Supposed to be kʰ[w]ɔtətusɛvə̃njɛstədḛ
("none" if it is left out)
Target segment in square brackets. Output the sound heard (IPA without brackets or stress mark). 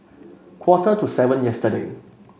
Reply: w